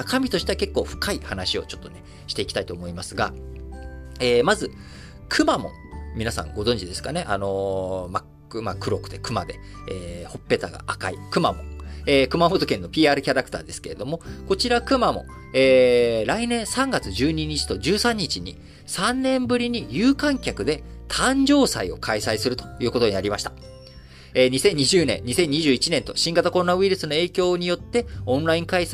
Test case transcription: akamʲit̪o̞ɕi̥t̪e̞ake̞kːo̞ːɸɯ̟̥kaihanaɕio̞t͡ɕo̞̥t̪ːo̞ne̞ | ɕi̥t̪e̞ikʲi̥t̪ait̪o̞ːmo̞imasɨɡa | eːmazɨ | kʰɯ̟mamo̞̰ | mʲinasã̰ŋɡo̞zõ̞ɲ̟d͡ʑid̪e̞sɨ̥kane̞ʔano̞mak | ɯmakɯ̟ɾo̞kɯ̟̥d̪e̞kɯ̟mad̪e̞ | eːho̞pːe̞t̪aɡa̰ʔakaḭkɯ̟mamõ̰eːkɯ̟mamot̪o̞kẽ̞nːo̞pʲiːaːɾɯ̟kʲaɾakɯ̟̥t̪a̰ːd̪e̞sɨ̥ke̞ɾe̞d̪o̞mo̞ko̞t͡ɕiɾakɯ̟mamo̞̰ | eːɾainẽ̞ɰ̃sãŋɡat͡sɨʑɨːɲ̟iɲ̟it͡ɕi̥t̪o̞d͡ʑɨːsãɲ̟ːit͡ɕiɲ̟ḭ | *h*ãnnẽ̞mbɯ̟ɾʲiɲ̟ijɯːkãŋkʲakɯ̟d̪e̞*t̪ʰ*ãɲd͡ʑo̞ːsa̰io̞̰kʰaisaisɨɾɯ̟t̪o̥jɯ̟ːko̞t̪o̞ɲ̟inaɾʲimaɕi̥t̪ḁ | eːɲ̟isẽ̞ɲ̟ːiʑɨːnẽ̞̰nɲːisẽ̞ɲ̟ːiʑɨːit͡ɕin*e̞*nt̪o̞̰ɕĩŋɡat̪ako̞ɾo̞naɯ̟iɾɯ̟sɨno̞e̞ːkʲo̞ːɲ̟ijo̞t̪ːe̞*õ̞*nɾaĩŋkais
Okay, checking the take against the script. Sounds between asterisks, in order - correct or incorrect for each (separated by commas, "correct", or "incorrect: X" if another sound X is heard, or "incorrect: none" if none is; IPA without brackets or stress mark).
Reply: incorrect: s, correct, incorrect: ẽ̞, correct